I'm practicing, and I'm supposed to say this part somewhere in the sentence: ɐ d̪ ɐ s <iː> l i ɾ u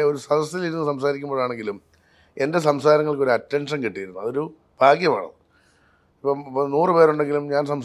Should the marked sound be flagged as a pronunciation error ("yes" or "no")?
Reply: yes